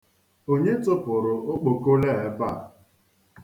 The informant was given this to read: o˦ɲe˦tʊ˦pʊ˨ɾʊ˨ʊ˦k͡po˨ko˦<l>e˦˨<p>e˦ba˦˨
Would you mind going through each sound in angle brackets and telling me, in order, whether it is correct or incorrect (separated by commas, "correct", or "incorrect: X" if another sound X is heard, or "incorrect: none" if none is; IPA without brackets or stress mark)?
correct, incorrect: none